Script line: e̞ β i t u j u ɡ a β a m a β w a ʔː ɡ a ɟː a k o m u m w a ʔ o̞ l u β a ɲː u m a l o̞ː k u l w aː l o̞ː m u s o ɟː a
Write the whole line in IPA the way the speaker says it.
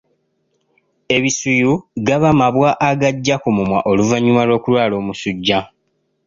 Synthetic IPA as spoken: e̞ β i s u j u ɡ a β a m a β w a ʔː ɡ a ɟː a k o m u m w a ʔ o̞ l u v a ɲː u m a l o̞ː k u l w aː l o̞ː m u s u ɟː a

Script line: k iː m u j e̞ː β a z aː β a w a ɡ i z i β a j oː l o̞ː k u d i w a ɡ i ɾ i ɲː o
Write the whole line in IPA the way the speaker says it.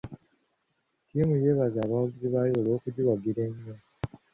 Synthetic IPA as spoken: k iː m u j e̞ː β a z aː β a w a ɡ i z i β a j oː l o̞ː k u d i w a ɡ i ɾ e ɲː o

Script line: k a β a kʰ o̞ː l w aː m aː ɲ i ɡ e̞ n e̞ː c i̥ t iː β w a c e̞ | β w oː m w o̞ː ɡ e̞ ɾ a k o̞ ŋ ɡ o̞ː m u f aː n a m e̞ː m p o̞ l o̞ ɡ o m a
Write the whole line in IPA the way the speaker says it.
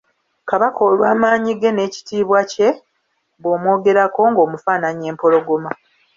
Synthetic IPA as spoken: k a β a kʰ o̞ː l w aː m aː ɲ i ɡ e̞ n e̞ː c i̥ t iː β w a c e̞ | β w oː m w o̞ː ɡ e̞ ɾ a k o̞ ŋ ɡ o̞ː m u f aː n a ɲ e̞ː m p o̞ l o̞ ɡ o m a

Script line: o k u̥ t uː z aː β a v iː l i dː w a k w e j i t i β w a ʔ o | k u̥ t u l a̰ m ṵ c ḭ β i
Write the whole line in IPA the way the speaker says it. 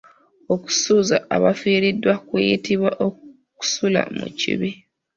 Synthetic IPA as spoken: o k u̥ s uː z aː β a f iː ɾ i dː w a k w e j i t i β w a ʔ o | k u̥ s u l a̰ m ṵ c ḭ β i

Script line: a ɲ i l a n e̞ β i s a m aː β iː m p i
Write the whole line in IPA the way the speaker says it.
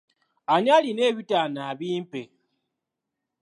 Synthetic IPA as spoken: a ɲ a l i n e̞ β i t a n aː β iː m p e

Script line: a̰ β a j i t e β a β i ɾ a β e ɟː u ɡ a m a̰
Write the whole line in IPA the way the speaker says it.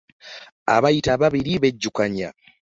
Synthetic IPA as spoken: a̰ β a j i t a β a β i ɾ i β e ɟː u k a ɲ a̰

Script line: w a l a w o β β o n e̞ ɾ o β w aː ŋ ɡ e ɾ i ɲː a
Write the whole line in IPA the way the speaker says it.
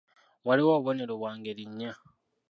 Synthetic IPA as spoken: w a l i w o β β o n e̞ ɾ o β w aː ŋ ɡ e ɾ i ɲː a

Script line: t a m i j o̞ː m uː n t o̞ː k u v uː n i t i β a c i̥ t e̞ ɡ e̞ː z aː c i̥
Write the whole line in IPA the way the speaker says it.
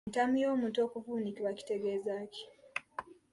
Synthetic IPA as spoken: t a m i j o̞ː m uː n t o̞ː k u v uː n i k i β a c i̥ t e̞ ɡ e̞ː z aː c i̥

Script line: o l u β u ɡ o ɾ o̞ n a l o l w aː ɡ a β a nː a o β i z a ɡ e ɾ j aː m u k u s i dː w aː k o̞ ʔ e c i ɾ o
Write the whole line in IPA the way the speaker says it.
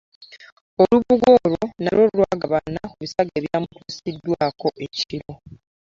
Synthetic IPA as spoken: o l u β u ɡ o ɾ o̞ n a l o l w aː ɡ a β a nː a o β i s a ɡ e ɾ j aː m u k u s i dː w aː k o̞ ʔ e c i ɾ o

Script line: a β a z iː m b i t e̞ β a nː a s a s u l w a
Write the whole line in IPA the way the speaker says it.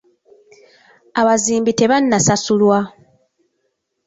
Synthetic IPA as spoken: a β a z iː m b i t e̞ β a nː a s a s u l w a

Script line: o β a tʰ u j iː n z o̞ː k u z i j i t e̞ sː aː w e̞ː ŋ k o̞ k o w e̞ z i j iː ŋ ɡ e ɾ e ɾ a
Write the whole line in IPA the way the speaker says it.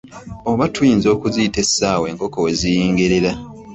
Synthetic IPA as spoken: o β a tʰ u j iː n z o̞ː k u z i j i t e̞ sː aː w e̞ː ŋ k o̞ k o w e̞ z i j iː ŋ ɡ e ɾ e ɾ a

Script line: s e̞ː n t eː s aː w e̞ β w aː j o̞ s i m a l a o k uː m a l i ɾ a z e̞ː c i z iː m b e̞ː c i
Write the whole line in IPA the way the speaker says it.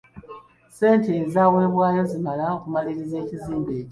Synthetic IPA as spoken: s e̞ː n t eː z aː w e̞ β w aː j o̞ z i m a l a o k u m a l i ɾ i z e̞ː c i z iː m b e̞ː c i

